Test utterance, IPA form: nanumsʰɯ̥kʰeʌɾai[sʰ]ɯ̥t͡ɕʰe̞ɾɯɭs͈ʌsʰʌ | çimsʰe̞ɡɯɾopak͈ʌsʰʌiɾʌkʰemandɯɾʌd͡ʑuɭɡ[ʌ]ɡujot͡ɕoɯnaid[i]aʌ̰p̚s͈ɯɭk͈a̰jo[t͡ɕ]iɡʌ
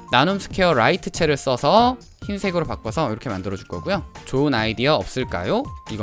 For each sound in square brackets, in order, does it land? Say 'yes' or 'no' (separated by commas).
no, yes, yes, no